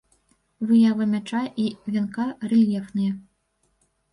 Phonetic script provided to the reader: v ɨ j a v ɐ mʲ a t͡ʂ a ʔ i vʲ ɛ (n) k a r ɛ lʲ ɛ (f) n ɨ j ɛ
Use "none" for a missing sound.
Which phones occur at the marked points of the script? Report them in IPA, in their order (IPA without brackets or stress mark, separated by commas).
n, f